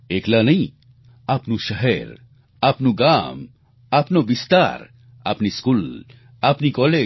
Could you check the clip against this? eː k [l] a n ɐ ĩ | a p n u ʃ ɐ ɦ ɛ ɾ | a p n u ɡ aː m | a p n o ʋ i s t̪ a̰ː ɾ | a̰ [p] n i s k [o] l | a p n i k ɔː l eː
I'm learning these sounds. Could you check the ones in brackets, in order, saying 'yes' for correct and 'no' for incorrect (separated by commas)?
yes, yes, no